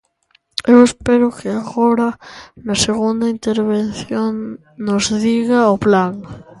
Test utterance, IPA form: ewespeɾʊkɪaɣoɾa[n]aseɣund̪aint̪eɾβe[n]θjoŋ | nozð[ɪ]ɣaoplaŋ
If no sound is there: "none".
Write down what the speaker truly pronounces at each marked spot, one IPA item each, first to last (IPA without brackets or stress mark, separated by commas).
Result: n, n, i